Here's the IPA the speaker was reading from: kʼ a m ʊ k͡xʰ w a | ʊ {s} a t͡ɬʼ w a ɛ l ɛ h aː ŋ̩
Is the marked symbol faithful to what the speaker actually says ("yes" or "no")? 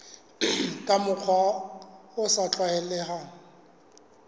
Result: yes